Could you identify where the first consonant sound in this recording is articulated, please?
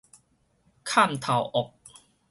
velar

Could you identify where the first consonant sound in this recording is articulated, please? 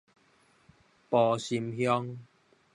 labial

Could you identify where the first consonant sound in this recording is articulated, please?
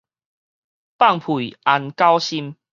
labial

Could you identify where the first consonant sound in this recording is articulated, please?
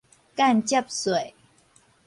velar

